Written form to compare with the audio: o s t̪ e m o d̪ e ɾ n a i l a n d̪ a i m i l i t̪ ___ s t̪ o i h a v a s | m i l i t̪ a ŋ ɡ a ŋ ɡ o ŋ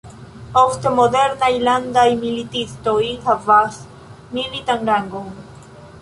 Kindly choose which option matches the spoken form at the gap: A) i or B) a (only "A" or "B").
A